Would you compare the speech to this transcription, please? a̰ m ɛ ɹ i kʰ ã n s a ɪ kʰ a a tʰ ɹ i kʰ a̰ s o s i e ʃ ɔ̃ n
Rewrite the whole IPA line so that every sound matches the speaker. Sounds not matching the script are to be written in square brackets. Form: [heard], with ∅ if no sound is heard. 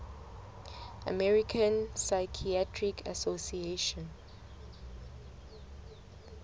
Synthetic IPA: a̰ m ɛ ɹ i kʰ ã n s a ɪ kʰ [i] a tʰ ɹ i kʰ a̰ s o s i e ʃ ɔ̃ n